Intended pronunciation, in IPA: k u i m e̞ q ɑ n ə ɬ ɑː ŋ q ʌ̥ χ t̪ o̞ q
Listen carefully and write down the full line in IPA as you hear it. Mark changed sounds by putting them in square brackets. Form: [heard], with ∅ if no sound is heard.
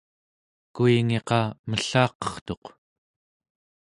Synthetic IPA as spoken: k u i [ŋ] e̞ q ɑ [m] ə ɬ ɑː [∅] q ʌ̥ χ t̪ o̞ q